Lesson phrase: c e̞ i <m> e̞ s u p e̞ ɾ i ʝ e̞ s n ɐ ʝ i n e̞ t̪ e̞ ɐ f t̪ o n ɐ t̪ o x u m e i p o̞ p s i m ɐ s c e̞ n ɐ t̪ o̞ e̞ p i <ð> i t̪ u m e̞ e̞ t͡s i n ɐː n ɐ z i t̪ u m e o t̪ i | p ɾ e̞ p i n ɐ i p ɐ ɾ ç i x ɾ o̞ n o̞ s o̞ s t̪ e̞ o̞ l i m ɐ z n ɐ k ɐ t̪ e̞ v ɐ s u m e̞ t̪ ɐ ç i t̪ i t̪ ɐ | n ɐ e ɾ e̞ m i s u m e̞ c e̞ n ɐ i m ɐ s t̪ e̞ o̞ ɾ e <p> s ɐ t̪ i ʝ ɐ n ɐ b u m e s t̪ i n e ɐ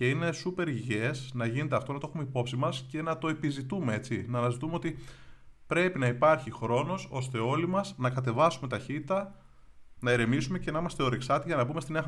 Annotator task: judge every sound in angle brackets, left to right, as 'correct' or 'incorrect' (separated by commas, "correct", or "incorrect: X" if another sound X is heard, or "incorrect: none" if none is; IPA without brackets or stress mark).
incorrect: n, incorrect: z, incorrect: k